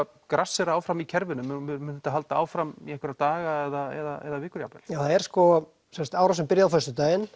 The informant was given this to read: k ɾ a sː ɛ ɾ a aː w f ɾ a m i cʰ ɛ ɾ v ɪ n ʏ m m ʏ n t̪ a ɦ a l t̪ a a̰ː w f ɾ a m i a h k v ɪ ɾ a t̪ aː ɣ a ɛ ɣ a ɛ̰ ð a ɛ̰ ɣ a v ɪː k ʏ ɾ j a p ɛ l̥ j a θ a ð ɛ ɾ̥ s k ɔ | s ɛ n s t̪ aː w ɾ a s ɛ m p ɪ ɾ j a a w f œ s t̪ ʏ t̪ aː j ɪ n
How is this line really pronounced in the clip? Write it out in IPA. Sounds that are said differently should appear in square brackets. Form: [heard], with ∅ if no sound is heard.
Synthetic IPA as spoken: k ɾ a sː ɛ ɾ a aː w f ɾ a m i cʰ ɛ ɾ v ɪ n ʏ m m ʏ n t̪ a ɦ a l t̪ a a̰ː w f ɾ a m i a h k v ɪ ɾ a t̪ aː ɣ a ɛ [ð] a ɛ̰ ð a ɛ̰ [ð] a v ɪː k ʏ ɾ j a p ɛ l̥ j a θ a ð ɛ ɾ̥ s k ɔ | s ɛ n s t̪ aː w ɾ a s ɛ m p ɪ ɾ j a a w f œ s t̪ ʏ t̪ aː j ɪ n